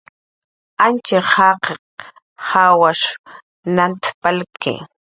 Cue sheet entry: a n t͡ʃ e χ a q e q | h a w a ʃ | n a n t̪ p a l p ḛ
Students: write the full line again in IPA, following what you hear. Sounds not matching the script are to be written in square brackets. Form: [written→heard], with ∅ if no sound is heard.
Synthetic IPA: a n t͡ʃ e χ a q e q | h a w a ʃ | n a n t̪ p a l [p→k] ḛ